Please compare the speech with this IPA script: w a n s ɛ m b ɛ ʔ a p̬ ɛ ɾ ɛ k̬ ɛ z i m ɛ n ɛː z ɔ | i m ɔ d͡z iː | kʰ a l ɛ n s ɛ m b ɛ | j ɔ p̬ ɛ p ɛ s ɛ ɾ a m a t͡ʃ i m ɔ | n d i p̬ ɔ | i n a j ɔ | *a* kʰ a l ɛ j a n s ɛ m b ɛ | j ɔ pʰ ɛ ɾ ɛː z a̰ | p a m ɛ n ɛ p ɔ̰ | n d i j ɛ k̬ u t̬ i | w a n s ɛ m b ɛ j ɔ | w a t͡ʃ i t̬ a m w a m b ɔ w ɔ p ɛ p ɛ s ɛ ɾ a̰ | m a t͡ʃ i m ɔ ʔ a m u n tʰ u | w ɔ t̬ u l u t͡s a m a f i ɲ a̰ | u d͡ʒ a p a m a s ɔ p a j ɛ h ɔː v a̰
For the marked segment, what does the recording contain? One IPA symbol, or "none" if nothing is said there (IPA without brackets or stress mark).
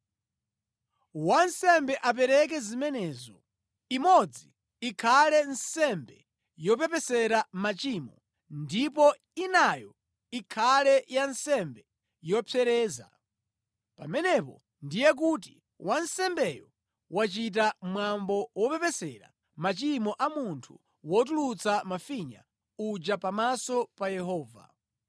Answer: i